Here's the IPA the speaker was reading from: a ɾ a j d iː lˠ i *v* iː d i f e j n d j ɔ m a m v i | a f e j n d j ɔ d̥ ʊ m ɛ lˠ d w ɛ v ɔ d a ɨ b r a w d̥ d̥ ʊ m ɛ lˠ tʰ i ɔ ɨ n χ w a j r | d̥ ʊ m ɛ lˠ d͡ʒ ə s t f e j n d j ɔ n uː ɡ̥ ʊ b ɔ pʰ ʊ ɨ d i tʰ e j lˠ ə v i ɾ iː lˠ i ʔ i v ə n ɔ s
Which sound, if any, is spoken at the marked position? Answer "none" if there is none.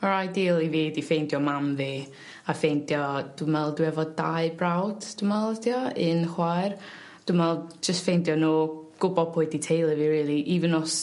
v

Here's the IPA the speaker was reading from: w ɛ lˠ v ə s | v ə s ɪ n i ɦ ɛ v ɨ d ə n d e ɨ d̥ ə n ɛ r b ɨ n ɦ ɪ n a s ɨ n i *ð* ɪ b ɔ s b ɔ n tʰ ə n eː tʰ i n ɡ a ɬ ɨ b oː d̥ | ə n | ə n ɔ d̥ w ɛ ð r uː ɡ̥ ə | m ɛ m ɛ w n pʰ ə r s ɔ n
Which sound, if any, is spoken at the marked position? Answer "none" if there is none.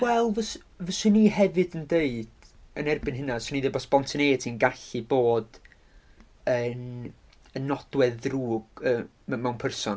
ð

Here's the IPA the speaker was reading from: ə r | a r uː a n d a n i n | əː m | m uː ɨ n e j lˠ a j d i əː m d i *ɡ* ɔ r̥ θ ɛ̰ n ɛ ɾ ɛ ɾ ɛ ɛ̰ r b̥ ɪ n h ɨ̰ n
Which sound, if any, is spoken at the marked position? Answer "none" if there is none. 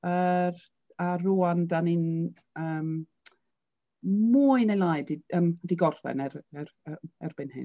ɡ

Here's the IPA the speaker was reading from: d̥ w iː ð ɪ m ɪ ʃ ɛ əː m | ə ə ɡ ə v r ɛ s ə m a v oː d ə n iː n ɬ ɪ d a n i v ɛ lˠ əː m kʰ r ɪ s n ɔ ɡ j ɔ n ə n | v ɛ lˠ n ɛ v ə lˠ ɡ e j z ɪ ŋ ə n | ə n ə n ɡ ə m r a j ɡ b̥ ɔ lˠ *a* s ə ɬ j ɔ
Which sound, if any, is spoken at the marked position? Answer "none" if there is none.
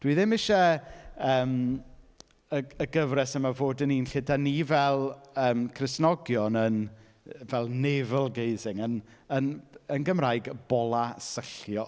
a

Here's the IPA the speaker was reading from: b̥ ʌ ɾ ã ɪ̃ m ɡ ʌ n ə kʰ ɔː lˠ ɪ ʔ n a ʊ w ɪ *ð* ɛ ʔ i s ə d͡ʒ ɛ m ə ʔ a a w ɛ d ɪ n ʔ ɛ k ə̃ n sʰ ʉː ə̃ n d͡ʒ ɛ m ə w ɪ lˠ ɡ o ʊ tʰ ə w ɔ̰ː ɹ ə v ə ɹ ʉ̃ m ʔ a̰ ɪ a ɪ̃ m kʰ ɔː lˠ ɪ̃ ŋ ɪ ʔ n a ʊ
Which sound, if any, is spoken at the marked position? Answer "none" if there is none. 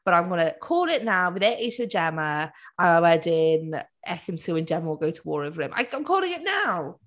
ð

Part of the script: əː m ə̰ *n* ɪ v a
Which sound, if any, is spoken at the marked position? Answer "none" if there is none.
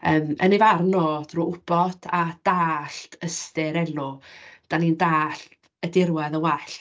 n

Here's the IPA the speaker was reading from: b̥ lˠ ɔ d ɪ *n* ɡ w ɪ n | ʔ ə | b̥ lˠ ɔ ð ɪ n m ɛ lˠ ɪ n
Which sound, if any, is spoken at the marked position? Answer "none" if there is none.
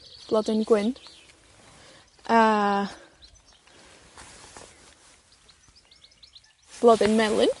n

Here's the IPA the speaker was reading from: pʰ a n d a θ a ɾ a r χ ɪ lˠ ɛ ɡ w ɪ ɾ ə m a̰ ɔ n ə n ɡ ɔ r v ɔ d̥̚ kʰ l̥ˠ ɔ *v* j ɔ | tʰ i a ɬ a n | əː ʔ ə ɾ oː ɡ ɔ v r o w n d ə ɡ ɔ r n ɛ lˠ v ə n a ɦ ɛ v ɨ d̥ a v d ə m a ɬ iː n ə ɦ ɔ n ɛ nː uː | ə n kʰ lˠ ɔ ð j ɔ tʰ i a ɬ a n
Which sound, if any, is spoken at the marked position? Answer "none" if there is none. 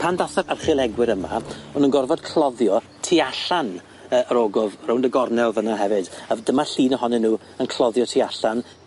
ð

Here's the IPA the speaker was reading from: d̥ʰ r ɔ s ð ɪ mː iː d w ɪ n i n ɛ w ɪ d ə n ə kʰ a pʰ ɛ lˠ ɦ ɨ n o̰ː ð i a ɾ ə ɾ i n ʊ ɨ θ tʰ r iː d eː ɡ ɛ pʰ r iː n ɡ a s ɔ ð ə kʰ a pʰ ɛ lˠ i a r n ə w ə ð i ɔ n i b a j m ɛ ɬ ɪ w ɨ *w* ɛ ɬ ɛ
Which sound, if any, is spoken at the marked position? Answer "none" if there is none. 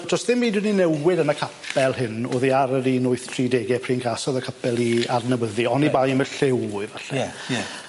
v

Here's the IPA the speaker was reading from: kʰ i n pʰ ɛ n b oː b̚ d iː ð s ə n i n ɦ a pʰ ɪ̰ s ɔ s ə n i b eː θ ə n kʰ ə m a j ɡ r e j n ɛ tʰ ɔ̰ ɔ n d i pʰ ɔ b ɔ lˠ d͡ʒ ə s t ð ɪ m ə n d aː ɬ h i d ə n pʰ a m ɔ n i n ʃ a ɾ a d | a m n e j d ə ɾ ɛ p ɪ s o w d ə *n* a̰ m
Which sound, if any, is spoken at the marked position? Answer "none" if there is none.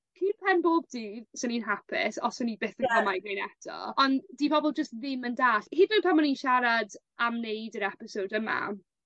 m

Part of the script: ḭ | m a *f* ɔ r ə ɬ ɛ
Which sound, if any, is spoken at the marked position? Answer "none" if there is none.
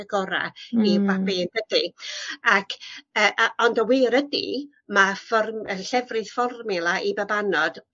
f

